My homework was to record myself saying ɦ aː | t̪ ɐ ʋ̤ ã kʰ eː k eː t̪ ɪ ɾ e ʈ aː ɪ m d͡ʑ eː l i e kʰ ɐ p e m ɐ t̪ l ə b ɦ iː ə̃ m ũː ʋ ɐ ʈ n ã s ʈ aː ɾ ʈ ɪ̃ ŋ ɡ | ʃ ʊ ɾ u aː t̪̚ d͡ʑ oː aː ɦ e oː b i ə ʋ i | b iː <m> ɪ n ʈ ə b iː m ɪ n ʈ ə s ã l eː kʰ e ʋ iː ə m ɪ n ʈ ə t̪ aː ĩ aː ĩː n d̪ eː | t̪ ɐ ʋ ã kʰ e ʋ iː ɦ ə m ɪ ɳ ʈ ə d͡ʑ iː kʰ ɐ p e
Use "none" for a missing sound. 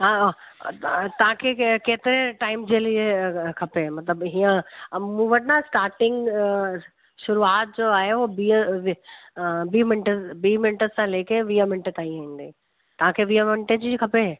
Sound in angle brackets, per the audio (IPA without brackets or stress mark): m